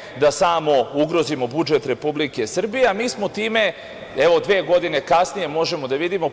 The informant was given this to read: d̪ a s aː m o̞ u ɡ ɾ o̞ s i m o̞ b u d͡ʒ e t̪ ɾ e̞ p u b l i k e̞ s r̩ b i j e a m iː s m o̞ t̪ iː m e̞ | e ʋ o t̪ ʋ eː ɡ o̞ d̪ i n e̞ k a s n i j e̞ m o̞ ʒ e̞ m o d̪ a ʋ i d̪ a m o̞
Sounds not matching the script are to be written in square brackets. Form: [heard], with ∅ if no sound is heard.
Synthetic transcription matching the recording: d̪ a s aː m o̞ u ɡ ɾ o̞ [z] i m o̞ b u d͡ʒ e t̪ ɾ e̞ p u b l i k e̞ s r̩ b i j e a m iː s m o̞ t̪ iː m e̞ | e ʋ o [d̪] ʋ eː ɡ o̞ d̪ i n e̞ k a s n i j e̞ m o̞ ʒ e̞ m o d̪ a ʋ i d̪ [i] m o̞

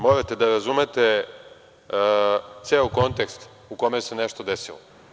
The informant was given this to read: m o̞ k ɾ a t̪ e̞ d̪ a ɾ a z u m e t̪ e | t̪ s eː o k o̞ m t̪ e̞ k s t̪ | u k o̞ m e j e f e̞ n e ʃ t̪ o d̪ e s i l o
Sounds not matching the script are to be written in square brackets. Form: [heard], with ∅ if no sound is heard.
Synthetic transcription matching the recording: m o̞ [∅] ɾ a t̪ e̞ d̪ a ɾ a z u m e t̪ e | t̪ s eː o k o̞ [n] t̪ e̞ k s t̪ | u k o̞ m e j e [s] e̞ n e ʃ t̪ o d̪ e s i l o

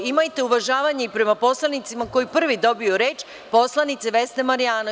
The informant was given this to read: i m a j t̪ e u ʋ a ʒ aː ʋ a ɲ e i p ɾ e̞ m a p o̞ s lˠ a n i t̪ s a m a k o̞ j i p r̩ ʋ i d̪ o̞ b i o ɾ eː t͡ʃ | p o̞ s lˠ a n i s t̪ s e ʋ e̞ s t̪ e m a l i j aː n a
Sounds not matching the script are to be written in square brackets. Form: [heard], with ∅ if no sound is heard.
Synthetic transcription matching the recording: i m a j t̪ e u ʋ a ʒ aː ʋ a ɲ e i p ɾ e̞ m a p o̞ s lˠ a n i t̪ s [i] m a k o̞ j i p r̩ ʋ i d̪ o̞ b i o ɾ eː t͡ʃ | p o̞ s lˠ a n i [∅] t̪ s e ʋ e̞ s t̪ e m a [ɾ] i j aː n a

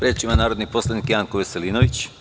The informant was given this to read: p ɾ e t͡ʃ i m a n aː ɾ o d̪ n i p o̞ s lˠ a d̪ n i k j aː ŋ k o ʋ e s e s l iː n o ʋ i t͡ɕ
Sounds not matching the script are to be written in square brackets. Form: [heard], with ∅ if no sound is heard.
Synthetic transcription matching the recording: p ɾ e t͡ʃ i m a n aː ɾ o d̪ n i p o̞ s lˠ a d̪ n i k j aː ŋ k o ʋ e s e [∅] l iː n o ʋ i t͡ɕ

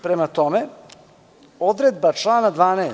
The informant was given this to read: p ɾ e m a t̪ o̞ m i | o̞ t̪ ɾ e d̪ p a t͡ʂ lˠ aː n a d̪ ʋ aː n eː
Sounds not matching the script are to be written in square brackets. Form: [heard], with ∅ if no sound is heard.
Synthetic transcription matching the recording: p ɾ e m a t̪ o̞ m [e] | o̞ [d̪] ɾ e d̪ [b] a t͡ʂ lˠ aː n a d̪ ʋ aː n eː

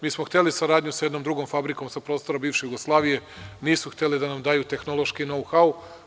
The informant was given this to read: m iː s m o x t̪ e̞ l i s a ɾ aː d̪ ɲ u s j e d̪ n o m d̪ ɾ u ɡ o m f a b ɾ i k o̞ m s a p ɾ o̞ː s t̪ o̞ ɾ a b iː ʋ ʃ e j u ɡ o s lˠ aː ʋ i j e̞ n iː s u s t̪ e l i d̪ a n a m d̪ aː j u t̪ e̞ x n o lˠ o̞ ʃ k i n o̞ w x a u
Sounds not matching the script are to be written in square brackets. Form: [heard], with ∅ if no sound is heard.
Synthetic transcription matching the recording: m iː s m o x t̪ e̞ l i s a ɾ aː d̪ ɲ u s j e d̪ n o m d̪ ɾ u ɡ o m f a b ɾ i k o̞ m s a p ɾ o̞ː s t̪ o̞ ɾ a b iː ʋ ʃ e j u ɡ o s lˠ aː ʋ i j e̞ n iː s u [x] t̪ e l i d̪ a n a m d̪ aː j u t̪ e̞ x n o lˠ o̞ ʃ k i n o̞ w x a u

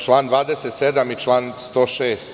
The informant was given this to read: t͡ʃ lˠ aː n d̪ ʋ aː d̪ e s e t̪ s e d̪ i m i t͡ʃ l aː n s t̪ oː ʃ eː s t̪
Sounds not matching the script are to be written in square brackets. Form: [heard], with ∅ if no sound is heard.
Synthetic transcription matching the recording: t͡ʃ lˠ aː n d̪ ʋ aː d̪ e s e t̪ s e d̪ [a] m i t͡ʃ l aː n s t̪ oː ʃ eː s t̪

